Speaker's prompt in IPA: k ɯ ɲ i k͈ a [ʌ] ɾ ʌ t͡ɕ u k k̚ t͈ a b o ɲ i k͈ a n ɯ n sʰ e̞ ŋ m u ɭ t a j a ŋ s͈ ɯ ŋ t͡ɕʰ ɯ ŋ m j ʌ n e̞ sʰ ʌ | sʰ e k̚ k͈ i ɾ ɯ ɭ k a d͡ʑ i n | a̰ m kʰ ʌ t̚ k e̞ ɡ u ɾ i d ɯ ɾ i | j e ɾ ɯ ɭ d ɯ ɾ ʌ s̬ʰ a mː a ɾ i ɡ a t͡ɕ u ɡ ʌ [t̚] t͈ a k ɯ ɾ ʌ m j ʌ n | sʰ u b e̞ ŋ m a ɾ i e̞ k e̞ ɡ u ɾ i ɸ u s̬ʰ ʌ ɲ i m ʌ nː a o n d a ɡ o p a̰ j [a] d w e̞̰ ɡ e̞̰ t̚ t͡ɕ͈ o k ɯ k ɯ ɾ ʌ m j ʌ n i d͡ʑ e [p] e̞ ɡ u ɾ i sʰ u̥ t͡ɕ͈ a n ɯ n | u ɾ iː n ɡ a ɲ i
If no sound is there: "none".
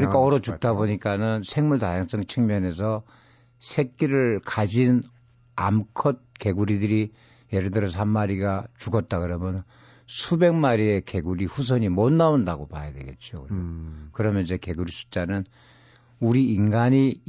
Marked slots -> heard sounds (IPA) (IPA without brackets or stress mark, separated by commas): ʌ, t̚, a, k